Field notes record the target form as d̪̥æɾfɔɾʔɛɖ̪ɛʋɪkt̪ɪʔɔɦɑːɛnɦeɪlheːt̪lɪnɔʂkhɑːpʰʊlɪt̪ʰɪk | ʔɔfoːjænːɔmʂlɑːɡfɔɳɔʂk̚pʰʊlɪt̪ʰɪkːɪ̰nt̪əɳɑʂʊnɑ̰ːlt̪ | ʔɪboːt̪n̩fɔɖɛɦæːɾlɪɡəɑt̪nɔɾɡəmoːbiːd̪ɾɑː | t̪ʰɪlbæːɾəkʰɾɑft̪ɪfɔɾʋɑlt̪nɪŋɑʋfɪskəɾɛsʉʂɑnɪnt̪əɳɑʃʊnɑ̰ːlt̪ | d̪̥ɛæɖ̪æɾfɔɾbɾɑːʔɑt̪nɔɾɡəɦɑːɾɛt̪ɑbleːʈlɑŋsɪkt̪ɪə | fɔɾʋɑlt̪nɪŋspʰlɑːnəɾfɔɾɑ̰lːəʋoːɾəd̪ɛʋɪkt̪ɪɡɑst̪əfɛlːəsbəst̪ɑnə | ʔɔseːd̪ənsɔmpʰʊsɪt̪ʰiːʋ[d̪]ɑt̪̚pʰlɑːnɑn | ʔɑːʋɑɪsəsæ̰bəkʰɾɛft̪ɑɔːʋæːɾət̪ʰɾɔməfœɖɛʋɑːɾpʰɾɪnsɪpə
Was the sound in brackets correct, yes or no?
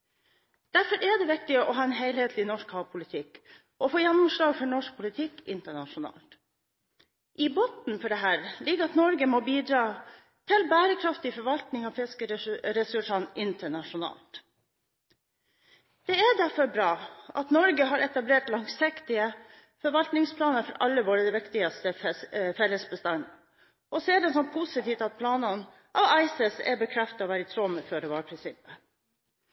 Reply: no